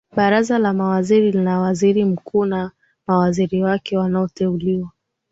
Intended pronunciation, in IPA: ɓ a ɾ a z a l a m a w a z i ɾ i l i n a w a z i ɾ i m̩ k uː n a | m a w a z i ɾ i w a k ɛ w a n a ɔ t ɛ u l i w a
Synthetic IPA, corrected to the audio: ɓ a ɾ a z a l a m a w a z i ɾ i l i n a w a z i ɾ i m̩ k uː n a | m a w a z i ɾ i w a k ɛ w a n a ɔ t ɛ u l i w a